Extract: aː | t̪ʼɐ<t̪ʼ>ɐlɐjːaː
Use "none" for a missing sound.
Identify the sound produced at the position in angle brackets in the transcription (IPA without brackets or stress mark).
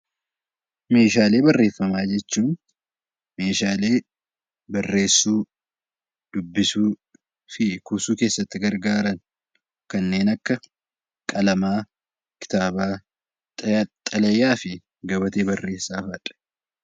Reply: t̪ʼ